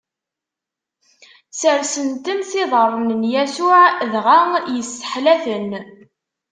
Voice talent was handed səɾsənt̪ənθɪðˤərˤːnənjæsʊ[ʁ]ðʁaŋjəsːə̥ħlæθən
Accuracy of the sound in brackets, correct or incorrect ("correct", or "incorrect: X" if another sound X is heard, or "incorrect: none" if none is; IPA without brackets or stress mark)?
incorrect: ʕ